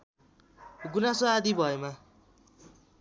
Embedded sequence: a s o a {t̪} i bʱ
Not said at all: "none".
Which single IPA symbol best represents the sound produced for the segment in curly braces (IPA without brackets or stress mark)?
d̪